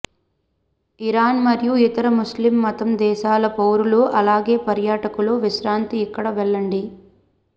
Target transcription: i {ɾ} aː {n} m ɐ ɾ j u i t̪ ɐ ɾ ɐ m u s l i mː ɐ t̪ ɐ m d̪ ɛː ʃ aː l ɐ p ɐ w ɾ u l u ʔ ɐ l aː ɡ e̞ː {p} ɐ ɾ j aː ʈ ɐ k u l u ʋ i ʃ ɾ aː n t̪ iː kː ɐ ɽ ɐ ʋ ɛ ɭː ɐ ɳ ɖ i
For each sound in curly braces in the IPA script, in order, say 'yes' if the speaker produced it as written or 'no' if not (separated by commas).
yes, yes, yes